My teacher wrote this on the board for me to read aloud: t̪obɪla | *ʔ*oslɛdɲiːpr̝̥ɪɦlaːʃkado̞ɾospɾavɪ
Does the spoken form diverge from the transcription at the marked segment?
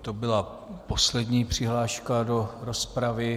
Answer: yes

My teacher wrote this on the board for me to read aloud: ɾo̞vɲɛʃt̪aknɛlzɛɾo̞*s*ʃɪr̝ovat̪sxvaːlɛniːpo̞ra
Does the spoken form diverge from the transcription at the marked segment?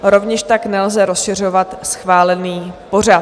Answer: no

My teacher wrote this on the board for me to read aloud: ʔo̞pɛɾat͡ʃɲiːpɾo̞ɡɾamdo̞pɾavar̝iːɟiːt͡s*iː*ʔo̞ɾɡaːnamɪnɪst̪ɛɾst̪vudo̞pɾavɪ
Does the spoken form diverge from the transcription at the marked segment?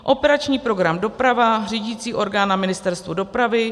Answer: no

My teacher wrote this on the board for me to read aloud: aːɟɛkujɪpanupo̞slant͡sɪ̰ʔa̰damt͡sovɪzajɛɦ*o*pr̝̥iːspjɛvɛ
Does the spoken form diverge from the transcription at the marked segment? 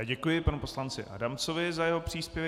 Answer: no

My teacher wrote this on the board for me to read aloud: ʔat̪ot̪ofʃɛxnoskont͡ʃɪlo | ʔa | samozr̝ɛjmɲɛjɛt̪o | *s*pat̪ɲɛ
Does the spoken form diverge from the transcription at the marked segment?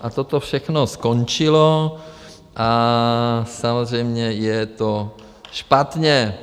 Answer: yes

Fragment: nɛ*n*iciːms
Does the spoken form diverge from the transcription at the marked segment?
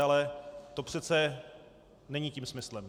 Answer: yes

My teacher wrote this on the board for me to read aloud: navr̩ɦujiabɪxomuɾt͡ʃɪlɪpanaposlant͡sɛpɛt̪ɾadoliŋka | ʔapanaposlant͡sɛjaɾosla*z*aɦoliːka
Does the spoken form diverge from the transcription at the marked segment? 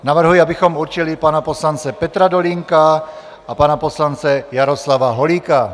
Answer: yes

